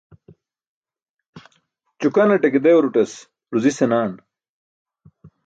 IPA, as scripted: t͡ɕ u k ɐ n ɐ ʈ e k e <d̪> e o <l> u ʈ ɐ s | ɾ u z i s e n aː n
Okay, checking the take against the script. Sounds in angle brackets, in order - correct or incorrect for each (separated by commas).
correct, incorrect